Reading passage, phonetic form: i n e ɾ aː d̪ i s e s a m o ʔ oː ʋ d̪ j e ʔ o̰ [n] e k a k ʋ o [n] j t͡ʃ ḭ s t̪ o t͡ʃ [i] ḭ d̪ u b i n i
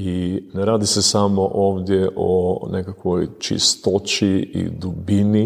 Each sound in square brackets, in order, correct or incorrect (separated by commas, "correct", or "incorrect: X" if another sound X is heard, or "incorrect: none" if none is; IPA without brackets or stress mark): correct, incorrect: none, correct